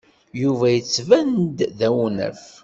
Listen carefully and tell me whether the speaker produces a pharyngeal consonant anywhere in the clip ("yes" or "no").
no